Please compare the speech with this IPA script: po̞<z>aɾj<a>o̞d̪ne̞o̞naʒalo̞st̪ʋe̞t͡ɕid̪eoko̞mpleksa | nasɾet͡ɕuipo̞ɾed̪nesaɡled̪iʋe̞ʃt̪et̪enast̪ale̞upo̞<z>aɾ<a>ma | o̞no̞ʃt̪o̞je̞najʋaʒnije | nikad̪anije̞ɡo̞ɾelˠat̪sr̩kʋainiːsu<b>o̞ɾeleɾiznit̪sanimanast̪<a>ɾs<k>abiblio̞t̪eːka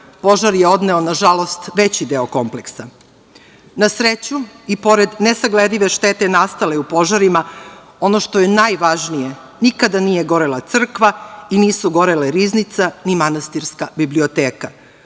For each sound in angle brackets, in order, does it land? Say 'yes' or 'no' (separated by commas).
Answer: no, no, no, no, no, no, yes